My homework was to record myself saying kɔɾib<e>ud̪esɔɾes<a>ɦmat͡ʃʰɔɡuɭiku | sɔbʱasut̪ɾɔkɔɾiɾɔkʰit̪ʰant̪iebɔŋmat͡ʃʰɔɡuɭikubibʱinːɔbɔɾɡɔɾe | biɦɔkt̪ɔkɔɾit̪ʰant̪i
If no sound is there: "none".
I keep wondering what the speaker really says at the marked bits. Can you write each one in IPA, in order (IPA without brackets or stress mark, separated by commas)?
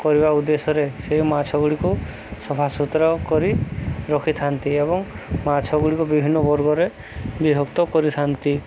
a, e